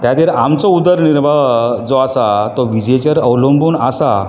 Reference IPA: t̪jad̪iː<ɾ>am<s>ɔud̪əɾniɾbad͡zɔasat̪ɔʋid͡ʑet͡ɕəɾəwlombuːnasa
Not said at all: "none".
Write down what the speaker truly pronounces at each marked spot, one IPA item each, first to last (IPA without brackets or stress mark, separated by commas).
ɾ, t͡s